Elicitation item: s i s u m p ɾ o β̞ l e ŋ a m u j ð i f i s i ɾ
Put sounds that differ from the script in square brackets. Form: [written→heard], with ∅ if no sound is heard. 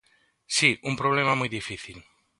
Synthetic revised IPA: s i [s→∅] u m p ɾ o β̞ l e [ŋ→m] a m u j ð i f i [s→θ] i [ɾ→l]